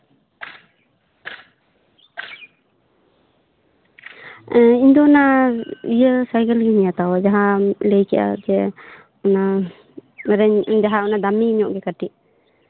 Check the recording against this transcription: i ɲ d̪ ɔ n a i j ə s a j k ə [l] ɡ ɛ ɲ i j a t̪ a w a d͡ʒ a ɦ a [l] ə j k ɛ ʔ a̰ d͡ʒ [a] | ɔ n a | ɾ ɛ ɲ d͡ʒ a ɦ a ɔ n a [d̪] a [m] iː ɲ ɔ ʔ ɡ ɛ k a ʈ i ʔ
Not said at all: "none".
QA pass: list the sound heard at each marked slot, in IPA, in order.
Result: l, l, ɛ, d̪, m

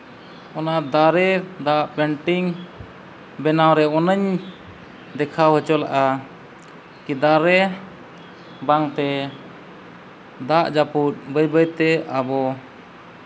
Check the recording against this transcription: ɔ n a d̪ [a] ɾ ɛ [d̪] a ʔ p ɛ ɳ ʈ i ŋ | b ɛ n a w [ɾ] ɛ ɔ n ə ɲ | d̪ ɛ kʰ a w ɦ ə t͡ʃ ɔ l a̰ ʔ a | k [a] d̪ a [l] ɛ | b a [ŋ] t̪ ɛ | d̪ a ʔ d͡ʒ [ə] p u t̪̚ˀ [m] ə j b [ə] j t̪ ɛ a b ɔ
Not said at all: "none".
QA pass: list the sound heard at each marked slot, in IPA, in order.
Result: a, d̪, ɾ, i, ɾ, ŋ, a, b, ə

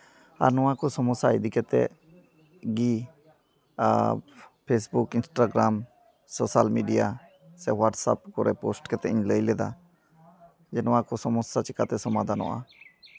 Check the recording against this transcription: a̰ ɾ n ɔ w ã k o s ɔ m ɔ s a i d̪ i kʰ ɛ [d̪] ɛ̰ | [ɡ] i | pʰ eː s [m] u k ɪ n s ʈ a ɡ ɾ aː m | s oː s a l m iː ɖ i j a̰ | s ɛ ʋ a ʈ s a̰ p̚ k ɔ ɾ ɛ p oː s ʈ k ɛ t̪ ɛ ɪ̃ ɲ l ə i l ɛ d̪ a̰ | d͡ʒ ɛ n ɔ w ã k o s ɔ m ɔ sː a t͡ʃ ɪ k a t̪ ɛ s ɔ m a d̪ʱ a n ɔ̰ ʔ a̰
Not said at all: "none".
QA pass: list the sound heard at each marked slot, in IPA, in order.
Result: t̪, ɡ, b

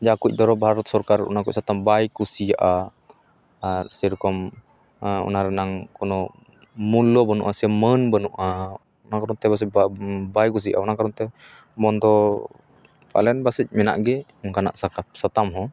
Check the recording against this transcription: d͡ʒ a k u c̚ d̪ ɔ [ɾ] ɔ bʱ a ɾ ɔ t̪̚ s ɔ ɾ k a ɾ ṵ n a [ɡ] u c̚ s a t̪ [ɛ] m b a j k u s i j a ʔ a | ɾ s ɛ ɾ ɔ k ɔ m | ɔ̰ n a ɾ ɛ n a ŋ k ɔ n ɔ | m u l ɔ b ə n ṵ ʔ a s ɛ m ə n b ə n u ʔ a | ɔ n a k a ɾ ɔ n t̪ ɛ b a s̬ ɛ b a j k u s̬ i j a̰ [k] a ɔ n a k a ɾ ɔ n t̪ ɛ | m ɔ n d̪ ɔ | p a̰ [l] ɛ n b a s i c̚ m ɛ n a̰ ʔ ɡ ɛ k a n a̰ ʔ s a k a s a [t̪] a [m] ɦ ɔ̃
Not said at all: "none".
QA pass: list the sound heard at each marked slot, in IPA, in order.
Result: ɾ, k, a, ʔ, l, t̪, m

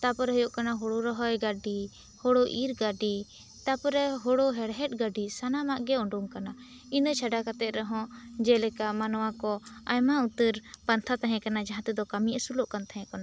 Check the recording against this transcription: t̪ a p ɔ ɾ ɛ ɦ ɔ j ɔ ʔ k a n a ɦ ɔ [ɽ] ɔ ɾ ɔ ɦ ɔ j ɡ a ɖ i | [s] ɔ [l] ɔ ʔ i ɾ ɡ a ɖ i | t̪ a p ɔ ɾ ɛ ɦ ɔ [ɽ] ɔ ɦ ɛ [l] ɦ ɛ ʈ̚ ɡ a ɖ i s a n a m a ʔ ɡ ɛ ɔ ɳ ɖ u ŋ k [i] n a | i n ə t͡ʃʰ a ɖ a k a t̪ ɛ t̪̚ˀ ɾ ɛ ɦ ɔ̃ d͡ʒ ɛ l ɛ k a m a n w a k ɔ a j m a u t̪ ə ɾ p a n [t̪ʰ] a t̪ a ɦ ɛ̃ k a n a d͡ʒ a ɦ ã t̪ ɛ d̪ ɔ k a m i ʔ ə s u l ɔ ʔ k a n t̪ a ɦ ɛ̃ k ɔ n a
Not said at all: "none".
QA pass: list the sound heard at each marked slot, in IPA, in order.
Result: ɽ, h, ɽ, ɽ, ɽ, a, t̪ʰ

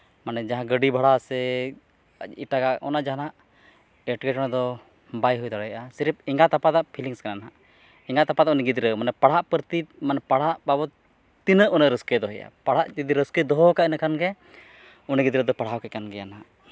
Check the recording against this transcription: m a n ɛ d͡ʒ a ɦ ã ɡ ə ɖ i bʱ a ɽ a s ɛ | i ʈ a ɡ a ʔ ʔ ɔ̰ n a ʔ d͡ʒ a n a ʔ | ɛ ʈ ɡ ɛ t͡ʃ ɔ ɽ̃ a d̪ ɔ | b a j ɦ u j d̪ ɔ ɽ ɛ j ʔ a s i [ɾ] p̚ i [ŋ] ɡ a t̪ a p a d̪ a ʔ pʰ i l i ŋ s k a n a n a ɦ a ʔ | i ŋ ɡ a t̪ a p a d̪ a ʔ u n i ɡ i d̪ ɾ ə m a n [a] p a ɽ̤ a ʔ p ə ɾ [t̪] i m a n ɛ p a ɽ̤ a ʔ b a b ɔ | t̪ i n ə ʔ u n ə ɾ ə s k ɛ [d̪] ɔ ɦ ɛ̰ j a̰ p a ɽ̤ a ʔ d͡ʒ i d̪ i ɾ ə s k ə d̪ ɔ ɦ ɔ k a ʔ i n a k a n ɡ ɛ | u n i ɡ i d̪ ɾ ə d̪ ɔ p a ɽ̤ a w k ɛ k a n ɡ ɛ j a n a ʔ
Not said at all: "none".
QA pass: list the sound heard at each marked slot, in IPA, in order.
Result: ɾ, ŋ, ɛ, t̪, d̪

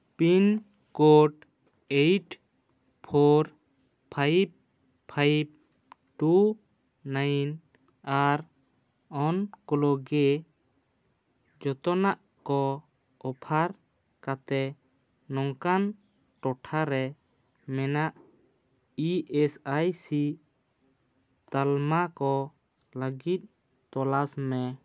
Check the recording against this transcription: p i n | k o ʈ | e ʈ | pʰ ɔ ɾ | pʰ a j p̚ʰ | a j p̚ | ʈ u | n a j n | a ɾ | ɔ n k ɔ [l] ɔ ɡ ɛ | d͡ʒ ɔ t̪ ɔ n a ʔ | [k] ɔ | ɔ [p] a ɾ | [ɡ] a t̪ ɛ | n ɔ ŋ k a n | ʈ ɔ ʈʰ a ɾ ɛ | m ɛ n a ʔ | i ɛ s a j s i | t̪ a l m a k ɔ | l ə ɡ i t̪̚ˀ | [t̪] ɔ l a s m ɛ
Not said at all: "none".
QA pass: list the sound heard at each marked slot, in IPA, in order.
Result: l, k, pʰ, k, t̪

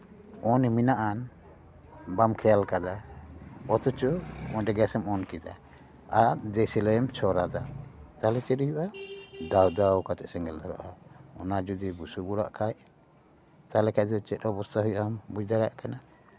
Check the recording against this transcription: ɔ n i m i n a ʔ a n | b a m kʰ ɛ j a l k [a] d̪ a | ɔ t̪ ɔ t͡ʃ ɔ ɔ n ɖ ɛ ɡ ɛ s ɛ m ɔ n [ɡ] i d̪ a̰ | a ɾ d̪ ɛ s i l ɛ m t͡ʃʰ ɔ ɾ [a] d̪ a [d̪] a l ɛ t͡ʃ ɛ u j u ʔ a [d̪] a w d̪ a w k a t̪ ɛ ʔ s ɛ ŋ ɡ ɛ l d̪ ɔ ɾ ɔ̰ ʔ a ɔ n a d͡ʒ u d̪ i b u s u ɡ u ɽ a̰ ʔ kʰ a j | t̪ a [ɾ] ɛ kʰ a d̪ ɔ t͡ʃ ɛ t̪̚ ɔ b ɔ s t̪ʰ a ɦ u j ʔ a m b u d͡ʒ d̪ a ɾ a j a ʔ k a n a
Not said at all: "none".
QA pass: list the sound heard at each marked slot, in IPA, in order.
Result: a, k, a, t̪, d̪, l

